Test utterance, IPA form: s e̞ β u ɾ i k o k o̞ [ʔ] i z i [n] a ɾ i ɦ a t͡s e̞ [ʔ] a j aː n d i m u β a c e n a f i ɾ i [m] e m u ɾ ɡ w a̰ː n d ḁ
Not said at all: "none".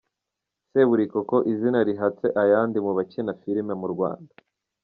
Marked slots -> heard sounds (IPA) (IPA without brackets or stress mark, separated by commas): ʔ, n, ʔ, m